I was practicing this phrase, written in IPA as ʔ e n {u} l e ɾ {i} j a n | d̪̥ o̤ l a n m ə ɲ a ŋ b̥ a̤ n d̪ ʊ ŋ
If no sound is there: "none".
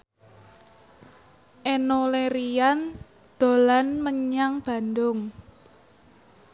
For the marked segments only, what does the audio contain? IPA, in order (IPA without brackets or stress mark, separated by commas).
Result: o, i